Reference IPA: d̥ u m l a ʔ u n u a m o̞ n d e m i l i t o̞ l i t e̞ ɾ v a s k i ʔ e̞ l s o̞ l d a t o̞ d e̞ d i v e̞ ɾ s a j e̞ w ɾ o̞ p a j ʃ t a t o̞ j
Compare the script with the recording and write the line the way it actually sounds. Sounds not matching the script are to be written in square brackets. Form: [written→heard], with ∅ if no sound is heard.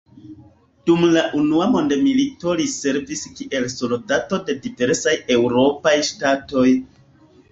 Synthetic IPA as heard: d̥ u m l a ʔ u n u a m o̞ n d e m i l i t o̞ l i [t→s] e̞ ɾ v [a→i] s k i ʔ e̞ l s o̞ l d a t o̞ d e̞ d i v e̞ ɾ s a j e̞ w ɾ o̞ p a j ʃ t a t o̞ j